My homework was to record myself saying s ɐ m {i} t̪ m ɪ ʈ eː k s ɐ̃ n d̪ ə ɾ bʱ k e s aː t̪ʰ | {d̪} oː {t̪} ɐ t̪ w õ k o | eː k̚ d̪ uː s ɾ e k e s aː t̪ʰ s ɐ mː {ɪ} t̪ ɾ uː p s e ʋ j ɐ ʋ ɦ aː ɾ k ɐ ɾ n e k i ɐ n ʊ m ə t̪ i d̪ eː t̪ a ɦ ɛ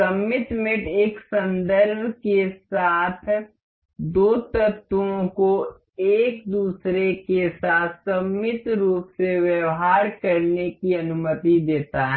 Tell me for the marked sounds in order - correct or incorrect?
incorrect: ɪ, correct, correct, correct

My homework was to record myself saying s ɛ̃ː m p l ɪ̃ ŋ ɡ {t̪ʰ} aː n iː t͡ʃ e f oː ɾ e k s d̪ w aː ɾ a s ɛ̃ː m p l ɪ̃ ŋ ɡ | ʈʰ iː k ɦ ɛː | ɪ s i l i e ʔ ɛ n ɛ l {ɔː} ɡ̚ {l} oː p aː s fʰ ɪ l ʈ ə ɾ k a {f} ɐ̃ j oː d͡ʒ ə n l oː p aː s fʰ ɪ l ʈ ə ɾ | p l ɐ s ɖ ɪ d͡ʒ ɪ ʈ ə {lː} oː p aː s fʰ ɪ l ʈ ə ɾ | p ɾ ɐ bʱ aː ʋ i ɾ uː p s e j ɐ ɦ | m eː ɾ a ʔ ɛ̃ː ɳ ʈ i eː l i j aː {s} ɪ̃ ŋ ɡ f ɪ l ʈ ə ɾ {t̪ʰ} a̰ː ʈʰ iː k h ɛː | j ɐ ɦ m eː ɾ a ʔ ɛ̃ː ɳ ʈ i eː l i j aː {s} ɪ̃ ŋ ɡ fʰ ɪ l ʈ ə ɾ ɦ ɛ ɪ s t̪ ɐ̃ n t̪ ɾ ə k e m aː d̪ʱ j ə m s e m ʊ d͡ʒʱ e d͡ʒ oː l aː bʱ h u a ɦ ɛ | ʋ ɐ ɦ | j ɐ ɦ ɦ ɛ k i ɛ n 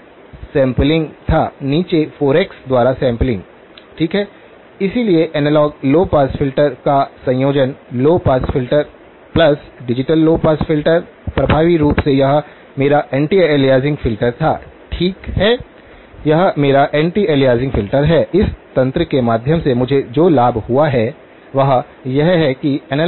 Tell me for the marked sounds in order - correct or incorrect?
correct, correct, correct, incorrect: s, correct, incorrect: z, correct, incorrect: z

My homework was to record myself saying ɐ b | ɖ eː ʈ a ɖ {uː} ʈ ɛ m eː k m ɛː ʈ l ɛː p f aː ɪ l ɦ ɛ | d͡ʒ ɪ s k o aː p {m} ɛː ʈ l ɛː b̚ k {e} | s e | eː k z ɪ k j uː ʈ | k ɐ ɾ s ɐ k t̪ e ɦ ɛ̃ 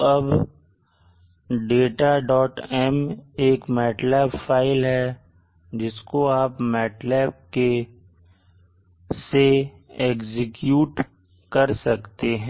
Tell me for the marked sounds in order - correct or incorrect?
incorrect: ɔː, correct, correct

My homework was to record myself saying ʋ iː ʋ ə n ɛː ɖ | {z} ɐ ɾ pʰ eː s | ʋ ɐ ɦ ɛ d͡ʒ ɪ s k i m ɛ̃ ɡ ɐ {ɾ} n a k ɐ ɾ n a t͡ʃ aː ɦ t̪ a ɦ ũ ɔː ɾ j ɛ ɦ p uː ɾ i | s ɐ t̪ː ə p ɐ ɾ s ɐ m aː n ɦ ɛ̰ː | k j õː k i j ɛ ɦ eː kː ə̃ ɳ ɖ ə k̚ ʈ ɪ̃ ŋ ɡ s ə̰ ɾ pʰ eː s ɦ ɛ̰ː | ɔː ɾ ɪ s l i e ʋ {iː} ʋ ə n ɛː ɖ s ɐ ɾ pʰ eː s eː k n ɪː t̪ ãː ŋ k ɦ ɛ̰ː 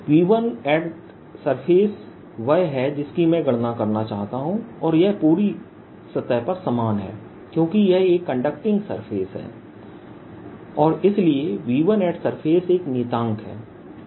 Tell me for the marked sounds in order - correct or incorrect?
incorrect: s, incorrect: ɽ, correct

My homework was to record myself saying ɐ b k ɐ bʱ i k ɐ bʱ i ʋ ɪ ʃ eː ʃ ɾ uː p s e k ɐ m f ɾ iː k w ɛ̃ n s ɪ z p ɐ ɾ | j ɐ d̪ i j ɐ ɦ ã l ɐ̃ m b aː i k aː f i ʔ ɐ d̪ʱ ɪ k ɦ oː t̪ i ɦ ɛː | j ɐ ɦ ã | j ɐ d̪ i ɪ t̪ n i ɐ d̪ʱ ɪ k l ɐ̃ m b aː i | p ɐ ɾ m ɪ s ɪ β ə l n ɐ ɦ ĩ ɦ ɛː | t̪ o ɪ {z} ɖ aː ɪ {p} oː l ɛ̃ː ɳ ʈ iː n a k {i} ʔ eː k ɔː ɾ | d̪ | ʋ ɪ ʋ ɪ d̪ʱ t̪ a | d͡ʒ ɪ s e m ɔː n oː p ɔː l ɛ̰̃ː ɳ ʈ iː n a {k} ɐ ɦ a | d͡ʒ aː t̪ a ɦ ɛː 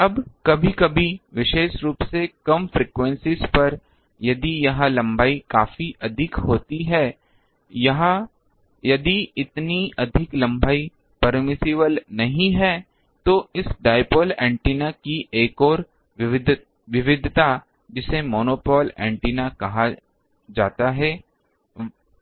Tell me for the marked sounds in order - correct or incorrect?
incorrect: s, correct, correct, correct

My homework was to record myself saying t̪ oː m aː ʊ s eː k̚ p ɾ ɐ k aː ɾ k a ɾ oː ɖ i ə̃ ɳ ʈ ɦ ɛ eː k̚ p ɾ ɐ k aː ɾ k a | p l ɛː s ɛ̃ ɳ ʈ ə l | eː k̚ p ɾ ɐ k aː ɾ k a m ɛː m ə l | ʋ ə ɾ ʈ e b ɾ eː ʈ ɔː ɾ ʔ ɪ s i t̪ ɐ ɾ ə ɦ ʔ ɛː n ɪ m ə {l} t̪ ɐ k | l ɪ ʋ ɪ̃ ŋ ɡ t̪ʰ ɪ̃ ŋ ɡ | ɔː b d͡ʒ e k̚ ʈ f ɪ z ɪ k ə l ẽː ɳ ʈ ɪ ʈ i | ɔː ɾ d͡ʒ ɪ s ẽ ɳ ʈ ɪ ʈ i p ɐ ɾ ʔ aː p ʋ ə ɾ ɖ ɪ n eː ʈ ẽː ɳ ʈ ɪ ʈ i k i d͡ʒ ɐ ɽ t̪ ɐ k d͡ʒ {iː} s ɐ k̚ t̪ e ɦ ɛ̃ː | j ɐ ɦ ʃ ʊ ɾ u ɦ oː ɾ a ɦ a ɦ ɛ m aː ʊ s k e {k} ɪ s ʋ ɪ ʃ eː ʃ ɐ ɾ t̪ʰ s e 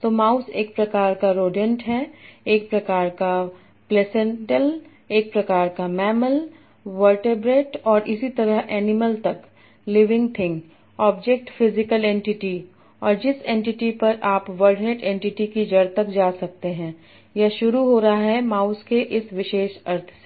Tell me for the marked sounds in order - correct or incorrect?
correct, incorrect: aː, incorrect: ʔ

